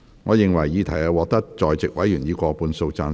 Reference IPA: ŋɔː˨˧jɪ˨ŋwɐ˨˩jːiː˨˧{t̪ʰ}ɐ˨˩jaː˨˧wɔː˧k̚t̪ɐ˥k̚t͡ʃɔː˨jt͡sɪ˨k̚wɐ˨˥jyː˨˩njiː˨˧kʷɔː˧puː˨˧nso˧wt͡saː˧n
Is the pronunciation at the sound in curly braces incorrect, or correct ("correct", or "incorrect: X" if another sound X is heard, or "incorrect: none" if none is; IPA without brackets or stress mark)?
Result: correct